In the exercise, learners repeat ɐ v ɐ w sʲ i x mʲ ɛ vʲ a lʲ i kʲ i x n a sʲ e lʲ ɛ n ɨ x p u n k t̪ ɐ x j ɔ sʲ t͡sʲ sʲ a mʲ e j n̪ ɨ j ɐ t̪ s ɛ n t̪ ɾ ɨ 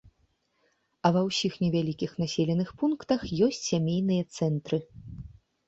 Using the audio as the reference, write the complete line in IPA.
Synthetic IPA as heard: ɐ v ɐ w sʲ i x nʲ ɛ vʲ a lʲ i kʲ i x n a sʲ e lʲ ɛ n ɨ x p u n k t̪ ɐ x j ɔ sʲ t͡sʲ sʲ a mʲ e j n̪ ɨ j ɐ t̪ s ɛ n t̪ ɾ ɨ

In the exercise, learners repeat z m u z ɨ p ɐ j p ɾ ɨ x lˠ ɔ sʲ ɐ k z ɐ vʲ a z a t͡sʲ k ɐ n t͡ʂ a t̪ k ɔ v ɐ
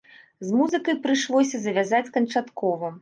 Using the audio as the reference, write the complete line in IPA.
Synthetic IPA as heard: z m u z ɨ k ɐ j p ɾ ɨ ʂ lˠ ɔ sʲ ɐ z ɐ vʲ a z a t͡sʲ k ɐ n t͡ʂ a t̪ k ɔ v ɐ

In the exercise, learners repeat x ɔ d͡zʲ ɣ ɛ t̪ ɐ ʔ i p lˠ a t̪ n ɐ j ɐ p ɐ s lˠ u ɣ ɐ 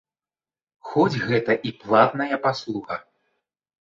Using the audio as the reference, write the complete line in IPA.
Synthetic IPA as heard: x ɔ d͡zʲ ɣ ɛ t̪ ɐ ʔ i p lˠ a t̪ n ɐ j ɐ p a s lˠ u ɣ ɐ

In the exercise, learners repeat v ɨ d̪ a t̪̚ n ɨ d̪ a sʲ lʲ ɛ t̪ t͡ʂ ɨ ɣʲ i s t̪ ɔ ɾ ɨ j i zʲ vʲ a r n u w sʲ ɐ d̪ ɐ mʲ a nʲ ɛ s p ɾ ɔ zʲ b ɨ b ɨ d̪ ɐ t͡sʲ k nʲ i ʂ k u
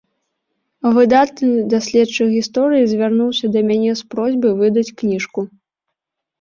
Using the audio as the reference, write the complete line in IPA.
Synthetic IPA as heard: v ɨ d̪ a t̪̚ n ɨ d̪ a sʲ lʲ ɛ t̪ t͡ʂ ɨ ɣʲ i s t̪ ɔ ɾ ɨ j i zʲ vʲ a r n u w sʲ ɐ d̪ ɐ mʲ a nʲ ɛ s p ɾ ɔ zʲ b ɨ v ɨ d̪ ɐ t͡sʲ k nʲ i ʂ k u

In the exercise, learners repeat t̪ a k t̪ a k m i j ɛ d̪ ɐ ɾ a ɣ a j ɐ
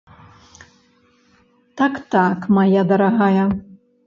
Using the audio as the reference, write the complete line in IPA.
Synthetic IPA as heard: t̪ a k t̪ a k m a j a d̪ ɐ ɾ a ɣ a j ɐ

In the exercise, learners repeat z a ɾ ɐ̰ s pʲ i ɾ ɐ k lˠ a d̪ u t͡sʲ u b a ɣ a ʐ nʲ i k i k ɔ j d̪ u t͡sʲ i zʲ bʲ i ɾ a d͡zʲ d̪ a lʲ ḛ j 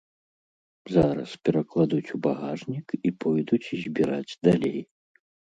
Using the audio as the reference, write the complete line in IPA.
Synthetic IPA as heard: z a ɾ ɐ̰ s pʲ ɛ ɾ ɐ k lˠ a d̪ u t͡sʲ u b a ɣ a ʐ nʲ i k i p ɔ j d̪ u t͡sʲ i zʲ bʲ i ɾ a d͡zʲ d̪ a lʲ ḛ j

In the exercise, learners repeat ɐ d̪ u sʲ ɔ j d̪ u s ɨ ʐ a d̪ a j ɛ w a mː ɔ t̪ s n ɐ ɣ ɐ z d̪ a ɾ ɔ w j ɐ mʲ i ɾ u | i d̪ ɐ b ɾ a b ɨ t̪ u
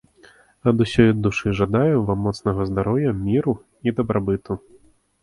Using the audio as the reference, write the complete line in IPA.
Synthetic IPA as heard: ɐ d̪ u sʲ ɔ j d̪ u ʂ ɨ ʐ a d̪ a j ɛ v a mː ɔ t̪ s n ɐ ɣ ɐ z d̪ a ɾ ɔ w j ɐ mʲ i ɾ u | i d̪ ɐ b ɾ a b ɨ t̪ u

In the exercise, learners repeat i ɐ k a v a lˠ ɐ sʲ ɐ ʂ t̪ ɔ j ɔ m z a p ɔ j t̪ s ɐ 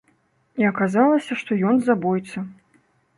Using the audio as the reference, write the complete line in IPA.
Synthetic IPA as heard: i ɐ k a z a lˠ ɐ sʲ ɐ ʂ t̪ ɔ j ɔ n z a b ɔ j t̪ s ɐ

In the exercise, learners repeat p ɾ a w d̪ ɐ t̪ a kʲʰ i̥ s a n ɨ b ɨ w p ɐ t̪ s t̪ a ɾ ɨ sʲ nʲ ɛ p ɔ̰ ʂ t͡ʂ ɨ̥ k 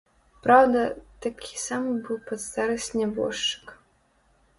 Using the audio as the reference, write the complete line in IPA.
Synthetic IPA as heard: p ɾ a w d̪ ɐ t̪ a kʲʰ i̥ s a m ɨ b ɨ w p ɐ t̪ s t̪ a ɾ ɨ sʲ nʲ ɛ b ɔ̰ ʂ t͡ʂ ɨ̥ k

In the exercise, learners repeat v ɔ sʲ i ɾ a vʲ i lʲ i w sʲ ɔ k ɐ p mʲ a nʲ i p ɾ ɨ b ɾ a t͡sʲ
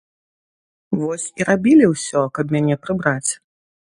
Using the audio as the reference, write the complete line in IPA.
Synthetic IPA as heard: v ɔ sʲ i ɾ a bʲ i lʲ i w sʲ ɔ k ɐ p mʲ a nʲ ɛ p ɾ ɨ b ɾ a t͡sʲ

